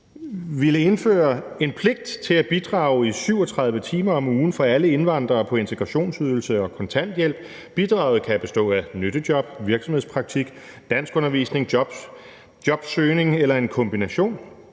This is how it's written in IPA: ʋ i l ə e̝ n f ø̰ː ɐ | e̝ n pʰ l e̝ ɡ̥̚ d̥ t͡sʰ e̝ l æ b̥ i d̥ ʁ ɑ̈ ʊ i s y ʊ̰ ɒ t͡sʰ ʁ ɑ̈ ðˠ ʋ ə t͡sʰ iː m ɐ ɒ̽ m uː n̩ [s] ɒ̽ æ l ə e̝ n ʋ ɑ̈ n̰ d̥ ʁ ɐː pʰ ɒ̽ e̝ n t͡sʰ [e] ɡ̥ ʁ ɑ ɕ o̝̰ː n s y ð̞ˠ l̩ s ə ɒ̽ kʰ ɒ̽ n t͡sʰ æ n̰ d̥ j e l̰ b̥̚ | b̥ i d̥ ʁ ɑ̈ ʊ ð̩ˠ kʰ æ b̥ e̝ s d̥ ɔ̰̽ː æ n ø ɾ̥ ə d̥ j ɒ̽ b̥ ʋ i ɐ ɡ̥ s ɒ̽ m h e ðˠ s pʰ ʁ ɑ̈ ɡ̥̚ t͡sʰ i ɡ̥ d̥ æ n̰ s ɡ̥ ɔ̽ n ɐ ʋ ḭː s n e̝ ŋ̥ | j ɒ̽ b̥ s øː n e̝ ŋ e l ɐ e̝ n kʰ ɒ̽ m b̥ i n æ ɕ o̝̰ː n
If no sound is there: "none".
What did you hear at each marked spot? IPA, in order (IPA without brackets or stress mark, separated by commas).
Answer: f, e